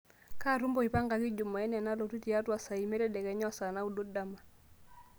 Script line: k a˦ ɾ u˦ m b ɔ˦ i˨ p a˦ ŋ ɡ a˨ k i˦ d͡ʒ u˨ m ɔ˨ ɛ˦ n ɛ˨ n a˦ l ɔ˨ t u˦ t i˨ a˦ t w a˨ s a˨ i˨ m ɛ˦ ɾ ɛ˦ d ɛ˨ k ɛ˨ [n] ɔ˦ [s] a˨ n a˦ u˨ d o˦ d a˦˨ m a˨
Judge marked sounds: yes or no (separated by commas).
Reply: no, yes